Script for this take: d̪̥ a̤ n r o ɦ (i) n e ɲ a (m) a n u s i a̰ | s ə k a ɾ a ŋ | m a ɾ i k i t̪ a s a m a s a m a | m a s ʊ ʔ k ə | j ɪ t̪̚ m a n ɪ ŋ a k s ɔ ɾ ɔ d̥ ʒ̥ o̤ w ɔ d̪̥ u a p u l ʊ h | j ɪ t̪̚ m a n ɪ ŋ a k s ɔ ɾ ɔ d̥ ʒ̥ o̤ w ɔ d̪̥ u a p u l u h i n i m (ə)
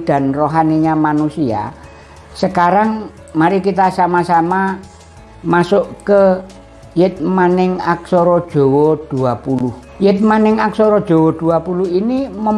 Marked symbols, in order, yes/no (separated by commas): no, yes, yes